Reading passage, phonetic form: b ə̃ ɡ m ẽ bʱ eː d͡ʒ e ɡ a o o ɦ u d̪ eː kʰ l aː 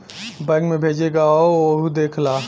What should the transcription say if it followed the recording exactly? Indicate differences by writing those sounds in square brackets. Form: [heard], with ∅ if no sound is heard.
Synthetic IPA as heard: b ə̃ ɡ m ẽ bʱ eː d͡ʒ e ɡ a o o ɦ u d̪ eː kʰ l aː